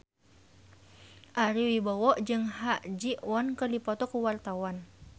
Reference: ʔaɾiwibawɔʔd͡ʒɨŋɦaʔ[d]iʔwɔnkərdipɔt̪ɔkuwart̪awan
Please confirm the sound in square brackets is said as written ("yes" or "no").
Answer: no